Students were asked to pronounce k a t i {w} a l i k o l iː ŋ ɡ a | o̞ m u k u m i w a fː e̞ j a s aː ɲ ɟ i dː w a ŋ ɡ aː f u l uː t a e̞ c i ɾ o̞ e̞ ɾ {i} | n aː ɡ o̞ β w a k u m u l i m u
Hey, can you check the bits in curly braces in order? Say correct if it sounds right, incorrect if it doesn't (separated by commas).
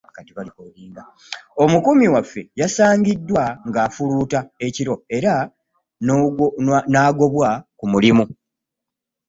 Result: incorrect, incorrect